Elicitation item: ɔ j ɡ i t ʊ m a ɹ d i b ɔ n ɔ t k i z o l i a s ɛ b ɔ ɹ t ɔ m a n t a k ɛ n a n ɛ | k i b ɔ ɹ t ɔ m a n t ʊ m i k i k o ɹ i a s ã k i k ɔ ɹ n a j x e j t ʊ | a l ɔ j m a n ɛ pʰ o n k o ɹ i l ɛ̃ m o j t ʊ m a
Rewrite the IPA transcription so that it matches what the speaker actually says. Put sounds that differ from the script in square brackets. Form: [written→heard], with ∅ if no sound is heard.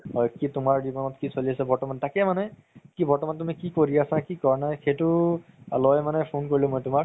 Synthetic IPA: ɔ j [ɡ→k] i t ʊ m a ɹ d i b ɔ n ɔ t k i [z→s] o l i a s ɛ b ɔ ɹ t ɔ m a n t a k ɛ [n→m] a n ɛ | k i b ɔ ɹ t ɔ m a n t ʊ m i k i k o ɹ i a s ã k i k ɔ ɹ n a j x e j t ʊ | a l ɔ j m a n ɛ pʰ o n k o ɹ i l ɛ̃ m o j t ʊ m a